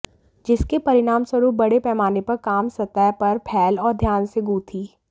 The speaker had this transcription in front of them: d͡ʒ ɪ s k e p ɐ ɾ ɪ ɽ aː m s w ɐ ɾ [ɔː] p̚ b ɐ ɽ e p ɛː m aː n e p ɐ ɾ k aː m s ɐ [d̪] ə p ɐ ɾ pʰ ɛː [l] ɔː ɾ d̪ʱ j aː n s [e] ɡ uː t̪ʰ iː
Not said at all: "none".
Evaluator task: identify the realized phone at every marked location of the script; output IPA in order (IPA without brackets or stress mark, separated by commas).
uː, t̪, l, e